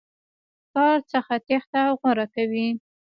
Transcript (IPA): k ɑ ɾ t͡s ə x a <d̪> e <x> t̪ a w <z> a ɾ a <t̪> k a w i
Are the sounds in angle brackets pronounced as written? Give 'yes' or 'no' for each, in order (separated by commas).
no, yes, no, no